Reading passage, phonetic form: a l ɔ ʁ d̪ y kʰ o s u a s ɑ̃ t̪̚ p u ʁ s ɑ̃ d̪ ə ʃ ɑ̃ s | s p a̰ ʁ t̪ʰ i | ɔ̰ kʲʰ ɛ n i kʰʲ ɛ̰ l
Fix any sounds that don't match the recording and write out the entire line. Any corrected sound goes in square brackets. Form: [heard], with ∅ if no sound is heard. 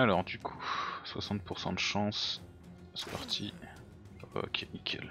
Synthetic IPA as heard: a l ɔ ʁ d̪ y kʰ [u] s [w] a s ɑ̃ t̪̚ p u ʁ s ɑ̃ d̪ ə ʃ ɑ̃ s | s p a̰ ʁ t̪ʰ i | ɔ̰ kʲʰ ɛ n i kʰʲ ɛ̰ l

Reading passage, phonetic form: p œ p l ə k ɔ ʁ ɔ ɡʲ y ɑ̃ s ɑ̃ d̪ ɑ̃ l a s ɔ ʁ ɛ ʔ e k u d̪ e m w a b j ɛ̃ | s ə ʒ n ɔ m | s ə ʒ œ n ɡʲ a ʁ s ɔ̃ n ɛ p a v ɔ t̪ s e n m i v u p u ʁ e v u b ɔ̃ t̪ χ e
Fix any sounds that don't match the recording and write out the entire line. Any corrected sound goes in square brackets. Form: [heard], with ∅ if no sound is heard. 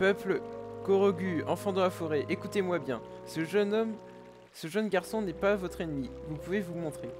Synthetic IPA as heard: p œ p l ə k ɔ ʁ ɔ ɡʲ y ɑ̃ [f] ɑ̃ d̪ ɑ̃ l a [f] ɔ ʁ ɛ ʔ e k u [t̪] e m w a b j ɛ̃ | s ə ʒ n ɔ m | s ə ʒ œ n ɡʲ a ʁ s ɔ̃ n ɛ p a v ɔ t̪ [χ] e n m i v u p u [v] e v u [m] ɔ̃ t̪ χ e

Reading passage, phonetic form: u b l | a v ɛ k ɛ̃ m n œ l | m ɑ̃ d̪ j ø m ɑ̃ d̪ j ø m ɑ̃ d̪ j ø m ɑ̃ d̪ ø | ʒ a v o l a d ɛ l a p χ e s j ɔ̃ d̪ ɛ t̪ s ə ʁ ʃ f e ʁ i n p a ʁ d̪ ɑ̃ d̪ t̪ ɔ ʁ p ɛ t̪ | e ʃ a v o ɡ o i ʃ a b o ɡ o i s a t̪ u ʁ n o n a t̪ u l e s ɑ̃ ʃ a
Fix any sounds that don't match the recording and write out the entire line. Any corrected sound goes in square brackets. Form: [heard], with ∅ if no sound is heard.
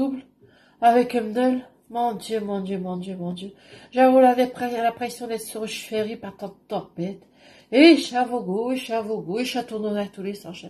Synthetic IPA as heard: u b l | a v ɛ k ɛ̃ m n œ l | m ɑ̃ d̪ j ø m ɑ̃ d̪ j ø m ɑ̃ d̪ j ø m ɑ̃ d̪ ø | ʒ a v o l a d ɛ l a p χ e s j ɔ̃ d̪ ɛ t̪ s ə ʁ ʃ f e ʁ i [∅] p a ʁ [t̪] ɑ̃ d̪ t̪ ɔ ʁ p ɛ t̪ | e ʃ a v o ɡ o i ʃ a [v] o ɡ o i [ʃ] a t̪ u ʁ n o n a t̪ u l e s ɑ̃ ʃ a

